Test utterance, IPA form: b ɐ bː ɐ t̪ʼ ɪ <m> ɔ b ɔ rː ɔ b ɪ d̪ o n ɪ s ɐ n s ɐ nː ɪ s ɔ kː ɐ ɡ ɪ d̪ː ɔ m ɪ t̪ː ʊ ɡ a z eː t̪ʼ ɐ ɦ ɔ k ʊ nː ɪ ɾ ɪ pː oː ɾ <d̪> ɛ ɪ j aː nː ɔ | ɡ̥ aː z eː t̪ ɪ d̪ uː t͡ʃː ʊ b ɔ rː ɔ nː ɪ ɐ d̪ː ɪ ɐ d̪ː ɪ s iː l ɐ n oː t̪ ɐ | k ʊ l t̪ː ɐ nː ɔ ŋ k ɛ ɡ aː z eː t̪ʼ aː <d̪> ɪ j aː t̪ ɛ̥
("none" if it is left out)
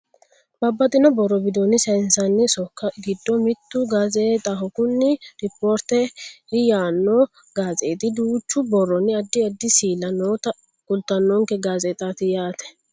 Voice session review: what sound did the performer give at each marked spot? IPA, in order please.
n, t̪, t̪

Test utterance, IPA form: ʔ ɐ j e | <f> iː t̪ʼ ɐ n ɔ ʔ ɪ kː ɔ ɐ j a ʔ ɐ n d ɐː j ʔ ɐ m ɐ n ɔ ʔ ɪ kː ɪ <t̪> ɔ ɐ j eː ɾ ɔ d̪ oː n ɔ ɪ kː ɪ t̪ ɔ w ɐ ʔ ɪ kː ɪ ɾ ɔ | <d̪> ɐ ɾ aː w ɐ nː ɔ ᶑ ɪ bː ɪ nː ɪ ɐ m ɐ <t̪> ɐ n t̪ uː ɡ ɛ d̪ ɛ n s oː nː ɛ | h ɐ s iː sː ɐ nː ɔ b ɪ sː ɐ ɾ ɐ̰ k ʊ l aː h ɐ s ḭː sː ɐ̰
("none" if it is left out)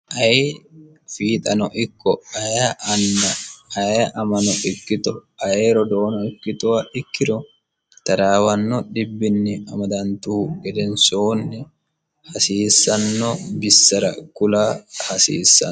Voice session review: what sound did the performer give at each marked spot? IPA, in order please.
f, t̪, t̪, d̪

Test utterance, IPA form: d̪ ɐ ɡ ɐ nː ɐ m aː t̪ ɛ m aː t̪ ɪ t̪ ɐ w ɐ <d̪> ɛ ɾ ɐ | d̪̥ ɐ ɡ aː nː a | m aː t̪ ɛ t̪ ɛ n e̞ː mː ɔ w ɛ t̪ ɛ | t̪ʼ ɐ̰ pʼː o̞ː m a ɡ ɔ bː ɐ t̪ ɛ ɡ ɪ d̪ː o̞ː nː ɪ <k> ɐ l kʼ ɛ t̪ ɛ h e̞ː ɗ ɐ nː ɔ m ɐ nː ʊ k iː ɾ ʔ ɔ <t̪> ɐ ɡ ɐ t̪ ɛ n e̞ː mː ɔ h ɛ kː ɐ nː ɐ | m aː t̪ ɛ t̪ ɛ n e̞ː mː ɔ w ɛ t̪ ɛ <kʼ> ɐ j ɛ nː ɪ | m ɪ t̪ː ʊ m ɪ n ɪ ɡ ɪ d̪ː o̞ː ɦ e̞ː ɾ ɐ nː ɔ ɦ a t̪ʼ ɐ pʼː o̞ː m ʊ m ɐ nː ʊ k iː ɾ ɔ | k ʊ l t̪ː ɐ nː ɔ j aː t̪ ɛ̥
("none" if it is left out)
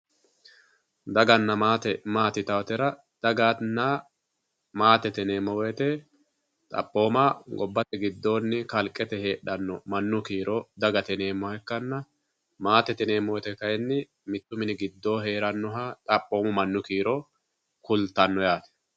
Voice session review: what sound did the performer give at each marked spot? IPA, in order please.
t̪, k, d̪, k

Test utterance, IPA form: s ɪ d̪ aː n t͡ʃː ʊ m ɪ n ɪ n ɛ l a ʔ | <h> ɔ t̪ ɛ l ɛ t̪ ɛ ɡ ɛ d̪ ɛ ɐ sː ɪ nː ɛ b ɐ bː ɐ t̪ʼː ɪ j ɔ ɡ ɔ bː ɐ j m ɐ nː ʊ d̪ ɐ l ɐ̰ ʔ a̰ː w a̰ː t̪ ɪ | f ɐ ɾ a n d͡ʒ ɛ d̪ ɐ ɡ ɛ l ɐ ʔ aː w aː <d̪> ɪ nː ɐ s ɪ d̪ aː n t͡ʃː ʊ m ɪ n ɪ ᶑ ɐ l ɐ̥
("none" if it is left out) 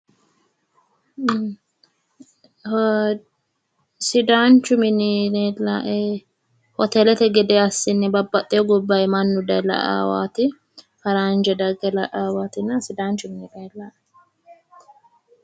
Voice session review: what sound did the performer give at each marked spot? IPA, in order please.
h, t̪

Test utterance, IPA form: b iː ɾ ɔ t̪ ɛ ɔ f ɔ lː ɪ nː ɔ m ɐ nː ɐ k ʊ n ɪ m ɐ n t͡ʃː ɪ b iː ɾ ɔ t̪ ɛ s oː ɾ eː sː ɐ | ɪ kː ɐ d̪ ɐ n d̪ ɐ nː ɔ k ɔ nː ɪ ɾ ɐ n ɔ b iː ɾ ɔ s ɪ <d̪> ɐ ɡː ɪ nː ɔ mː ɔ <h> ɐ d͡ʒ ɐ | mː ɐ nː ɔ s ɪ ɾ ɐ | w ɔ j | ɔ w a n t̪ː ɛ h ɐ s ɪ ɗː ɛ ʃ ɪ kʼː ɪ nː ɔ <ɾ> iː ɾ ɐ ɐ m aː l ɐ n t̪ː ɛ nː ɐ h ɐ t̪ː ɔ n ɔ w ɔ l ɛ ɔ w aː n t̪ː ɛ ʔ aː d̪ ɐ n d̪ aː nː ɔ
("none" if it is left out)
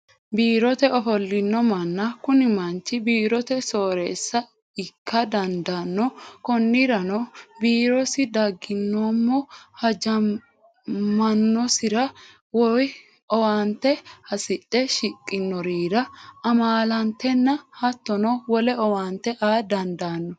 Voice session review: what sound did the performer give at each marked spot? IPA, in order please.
d̪, h, ɾ

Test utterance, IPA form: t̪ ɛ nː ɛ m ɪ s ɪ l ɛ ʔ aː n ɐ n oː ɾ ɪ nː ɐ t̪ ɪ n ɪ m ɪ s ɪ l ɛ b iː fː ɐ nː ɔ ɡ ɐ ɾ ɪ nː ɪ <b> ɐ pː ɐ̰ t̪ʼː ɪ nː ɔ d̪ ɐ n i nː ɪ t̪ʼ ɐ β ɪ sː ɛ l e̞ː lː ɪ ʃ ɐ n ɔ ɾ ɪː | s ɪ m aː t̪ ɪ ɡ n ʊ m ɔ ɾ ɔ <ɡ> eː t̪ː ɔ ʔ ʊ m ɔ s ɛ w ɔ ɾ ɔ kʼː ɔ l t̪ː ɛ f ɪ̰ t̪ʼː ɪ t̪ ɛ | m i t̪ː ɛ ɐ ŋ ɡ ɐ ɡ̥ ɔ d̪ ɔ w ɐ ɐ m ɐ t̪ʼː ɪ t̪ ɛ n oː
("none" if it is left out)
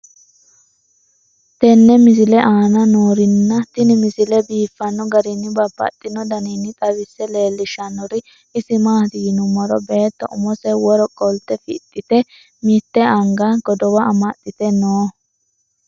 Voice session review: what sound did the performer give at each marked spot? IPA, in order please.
b, b

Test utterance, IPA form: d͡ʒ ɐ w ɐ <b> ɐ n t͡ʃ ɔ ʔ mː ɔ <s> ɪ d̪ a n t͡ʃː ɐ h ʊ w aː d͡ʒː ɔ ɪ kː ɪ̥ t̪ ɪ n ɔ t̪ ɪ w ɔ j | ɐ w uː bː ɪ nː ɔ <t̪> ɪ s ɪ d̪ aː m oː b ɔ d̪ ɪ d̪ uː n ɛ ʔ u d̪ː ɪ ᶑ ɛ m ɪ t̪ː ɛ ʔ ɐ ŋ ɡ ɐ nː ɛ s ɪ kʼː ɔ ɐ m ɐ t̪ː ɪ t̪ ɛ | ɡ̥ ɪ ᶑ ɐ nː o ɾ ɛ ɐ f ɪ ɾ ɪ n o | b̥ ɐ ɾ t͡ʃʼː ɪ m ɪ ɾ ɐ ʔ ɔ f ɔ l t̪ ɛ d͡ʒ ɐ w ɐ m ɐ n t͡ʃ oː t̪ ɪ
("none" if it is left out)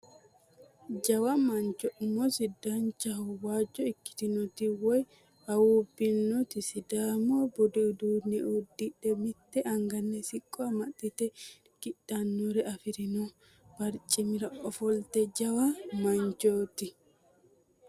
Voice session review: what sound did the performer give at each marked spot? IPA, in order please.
m, s, t̪

